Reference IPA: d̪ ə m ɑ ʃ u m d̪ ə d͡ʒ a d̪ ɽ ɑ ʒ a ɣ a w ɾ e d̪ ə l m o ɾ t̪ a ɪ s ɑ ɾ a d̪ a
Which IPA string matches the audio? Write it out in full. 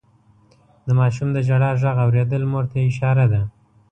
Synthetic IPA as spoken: d̪ ə m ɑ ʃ u m d̪ ə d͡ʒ a ɽ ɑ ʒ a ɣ a w ɾ e d̪ ə l m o ɾ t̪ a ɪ ʃ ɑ ɾ a d̪ a